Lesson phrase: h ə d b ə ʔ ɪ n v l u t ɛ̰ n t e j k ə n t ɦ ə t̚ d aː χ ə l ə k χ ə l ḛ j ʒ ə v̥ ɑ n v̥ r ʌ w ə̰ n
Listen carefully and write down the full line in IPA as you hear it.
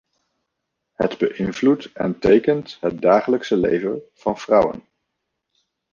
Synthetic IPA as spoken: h ə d b ə ʔ ɪ n v l u t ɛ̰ n t e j k ə n t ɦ ə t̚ d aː χ ə l ə k s ə l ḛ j v ə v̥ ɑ n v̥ r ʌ w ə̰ n